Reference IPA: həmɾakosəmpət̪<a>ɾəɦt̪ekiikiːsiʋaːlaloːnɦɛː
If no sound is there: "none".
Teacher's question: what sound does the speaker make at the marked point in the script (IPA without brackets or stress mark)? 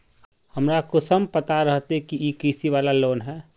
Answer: a